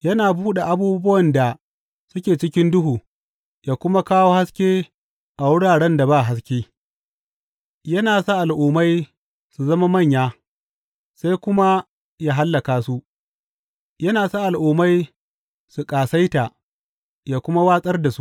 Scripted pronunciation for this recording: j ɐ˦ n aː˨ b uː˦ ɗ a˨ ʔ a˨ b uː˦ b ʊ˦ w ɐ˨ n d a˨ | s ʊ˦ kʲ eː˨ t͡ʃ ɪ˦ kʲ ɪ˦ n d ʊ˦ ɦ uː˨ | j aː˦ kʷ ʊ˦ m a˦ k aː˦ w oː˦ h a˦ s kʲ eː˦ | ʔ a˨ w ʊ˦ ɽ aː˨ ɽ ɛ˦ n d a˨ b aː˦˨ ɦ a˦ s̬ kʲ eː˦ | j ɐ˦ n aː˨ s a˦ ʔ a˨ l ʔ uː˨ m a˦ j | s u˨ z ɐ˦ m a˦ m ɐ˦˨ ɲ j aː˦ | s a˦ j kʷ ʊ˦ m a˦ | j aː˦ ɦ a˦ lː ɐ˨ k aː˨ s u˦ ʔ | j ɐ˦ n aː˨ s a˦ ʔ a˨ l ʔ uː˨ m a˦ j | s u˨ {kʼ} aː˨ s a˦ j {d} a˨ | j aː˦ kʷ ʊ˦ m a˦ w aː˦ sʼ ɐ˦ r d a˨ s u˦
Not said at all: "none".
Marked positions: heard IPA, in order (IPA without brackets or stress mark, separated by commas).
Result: kʼ, t